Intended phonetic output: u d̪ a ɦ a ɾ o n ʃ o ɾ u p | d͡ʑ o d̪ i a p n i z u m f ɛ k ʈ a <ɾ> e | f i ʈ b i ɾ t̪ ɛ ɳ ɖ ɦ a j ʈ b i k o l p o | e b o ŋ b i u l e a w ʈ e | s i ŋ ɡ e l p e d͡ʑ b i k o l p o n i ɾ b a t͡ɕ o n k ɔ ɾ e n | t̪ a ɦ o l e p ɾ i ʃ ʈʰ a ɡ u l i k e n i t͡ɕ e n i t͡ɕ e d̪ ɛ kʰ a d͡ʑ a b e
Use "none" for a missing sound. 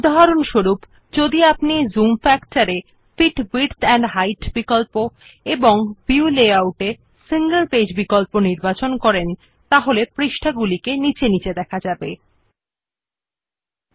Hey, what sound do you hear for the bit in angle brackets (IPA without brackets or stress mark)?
ɾ